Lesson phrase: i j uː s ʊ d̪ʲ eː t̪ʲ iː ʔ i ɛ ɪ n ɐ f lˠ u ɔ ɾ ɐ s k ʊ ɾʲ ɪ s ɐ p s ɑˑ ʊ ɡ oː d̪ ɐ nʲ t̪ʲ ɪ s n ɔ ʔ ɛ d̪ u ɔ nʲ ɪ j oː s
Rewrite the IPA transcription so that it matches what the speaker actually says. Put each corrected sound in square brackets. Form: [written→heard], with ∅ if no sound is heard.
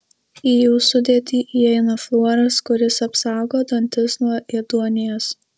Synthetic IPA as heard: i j uː s ʊ d̪ʲ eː t̪ʲ iː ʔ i ɛ ɪ n ɐ f lˠ u ɔ ɾ ɐ s k ʊ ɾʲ ɪ s ɐ p s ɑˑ ʊ ɡ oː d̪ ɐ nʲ t̪ʲ ɪ s n ɔ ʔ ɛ d̪ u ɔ nʲ ɪ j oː s

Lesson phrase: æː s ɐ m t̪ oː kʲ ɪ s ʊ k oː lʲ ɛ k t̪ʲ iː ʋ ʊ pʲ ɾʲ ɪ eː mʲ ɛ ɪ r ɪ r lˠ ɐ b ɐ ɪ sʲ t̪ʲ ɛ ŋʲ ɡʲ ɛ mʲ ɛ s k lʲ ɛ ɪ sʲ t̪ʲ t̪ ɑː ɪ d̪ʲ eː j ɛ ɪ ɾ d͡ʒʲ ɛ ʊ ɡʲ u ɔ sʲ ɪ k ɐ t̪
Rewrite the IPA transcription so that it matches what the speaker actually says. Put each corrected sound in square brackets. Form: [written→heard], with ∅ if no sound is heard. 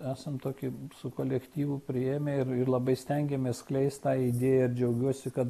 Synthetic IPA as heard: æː s ɐ m t̪ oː kʲ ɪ s ʊ k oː lʲ ɛ k t̪ʲ iː ʋ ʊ pʲ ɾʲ ɪ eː mʲ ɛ ɪ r ɪ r lˠ ɐ b ɐ ɪ sʲ t̪ʲ ɛ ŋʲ ɡʲ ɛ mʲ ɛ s k lʲ ɛ ɪ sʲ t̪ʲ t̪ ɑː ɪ d̪ʲ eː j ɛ ɪ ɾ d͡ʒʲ ɛ ʊ ɡʲ u ɔ sʲ ɪ k ɐ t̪

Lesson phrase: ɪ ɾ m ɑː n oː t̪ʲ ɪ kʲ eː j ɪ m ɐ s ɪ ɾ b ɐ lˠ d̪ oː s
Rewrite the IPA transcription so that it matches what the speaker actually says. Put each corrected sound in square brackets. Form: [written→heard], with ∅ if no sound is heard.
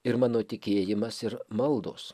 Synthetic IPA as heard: ɪ ɾ m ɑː n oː t̪ʲ ɪ kʲ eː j ɪ m ɐ s ɪ ɾ [b→m] ɐ lˠ d̪ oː s

